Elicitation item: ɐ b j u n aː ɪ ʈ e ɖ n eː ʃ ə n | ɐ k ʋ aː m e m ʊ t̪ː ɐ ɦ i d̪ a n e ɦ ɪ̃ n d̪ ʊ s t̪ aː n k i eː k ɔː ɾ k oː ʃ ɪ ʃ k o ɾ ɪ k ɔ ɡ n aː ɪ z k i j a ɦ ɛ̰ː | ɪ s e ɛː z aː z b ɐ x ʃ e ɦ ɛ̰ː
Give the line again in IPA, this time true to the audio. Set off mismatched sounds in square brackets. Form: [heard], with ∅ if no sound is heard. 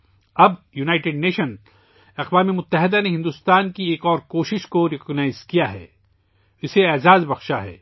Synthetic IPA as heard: ɐ b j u n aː ɪ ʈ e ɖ n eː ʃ ə n | ɐ [q] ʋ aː m e m ʊ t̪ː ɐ ɦ [ɪ] d̪ a n e ɦ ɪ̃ n d̪ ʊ s t̪ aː n k i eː k ɔː ɾ k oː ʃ ɪ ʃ k o ɾ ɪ k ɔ ɡ n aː ɪ z k i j a ɦ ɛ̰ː | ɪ s e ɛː z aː z b ɐ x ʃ [a] ɦ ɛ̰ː